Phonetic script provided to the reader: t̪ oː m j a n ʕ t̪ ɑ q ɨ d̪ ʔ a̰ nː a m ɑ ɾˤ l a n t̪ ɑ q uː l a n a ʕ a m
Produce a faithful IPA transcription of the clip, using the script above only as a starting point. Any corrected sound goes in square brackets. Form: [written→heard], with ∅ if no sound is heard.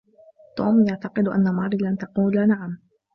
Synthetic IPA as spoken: t̪ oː m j a [n→∅] ʕ t̪ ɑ q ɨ d̪ ʔ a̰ nː a m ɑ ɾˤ l a n t̪ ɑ q uː l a n a ʕ a m